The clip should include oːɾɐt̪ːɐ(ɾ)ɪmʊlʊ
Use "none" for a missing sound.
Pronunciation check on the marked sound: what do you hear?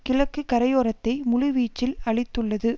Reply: none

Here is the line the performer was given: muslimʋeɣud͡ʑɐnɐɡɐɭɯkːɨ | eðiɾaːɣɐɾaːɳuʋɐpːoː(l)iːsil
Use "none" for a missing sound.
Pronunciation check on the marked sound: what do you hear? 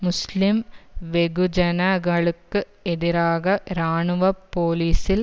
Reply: l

